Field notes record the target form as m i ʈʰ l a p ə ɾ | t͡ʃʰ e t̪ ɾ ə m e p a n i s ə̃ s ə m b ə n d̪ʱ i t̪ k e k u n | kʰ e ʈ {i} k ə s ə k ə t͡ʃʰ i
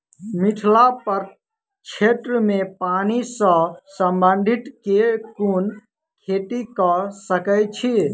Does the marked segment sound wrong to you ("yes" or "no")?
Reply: no